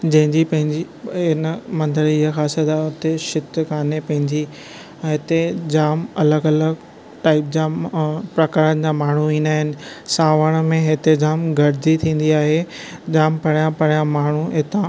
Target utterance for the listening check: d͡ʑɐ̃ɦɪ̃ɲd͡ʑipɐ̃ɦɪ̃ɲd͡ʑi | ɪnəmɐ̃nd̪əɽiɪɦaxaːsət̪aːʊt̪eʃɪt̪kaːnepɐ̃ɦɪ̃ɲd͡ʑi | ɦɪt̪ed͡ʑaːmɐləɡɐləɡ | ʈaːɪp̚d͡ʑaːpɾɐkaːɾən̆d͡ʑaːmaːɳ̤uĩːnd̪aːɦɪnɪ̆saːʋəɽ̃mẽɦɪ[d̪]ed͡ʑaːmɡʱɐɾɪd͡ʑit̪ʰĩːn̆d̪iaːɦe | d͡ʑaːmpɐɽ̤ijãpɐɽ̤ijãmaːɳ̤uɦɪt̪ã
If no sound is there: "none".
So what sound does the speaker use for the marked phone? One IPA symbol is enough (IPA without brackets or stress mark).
t̪